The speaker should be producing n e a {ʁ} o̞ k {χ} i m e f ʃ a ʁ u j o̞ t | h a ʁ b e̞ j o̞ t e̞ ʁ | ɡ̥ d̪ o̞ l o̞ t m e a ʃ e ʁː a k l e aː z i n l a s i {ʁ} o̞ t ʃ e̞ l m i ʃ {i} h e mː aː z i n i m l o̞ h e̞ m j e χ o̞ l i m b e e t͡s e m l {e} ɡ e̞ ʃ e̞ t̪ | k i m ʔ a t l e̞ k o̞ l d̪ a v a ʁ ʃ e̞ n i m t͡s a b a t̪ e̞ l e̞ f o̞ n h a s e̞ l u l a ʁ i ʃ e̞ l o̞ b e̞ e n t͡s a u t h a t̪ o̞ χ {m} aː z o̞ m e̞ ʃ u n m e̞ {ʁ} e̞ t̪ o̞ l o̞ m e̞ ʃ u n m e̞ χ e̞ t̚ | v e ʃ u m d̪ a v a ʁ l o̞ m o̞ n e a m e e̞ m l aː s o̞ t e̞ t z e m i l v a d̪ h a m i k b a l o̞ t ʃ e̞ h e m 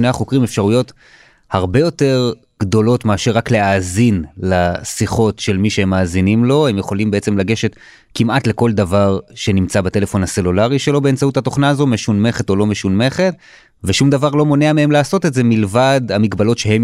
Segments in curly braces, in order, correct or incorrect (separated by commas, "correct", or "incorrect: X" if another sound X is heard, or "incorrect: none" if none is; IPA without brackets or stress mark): incorrect: χ, incorrect: ʁ, incorrect: χ, incorrect: e, incorrect: a, incorrect: n, incorrect: χ